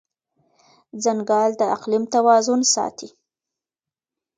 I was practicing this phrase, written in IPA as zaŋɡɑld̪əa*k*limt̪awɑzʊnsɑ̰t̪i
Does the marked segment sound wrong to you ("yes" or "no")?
yes